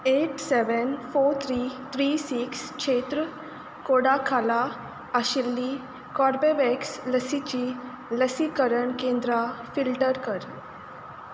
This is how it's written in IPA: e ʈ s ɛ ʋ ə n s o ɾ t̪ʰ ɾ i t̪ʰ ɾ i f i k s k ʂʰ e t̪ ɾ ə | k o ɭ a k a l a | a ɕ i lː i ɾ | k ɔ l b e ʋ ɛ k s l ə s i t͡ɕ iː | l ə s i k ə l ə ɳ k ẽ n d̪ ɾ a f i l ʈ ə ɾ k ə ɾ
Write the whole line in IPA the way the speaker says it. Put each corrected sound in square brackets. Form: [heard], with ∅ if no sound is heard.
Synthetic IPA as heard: e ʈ s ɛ ʋ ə n [f] o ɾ t̪ʰ ɾ i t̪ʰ ɾ i [s] i k s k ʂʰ e t̪ ɾ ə | k o [ɽ] a [kʰ] a l a | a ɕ i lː i [∅] | k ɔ [ɾ] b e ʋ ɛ k s l ə s i t͡ɕ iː | l ə s i k ə [ɾ] ə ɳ k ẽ n d̪ ɾ a f i l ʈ ə ɾ k ə ɾ